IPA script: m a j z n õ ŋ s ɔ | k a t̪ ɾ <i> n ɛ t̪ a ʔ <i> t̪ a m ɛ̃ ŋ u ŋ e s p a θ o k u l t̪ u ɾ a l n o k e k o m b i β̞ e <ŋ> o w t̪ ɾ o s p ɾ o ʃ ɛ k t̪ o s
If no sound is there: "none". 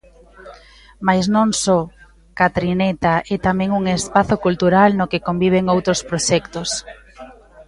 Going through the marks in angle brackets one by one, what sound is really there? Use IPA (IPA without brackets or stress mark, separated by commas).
i, ɛ, ŋ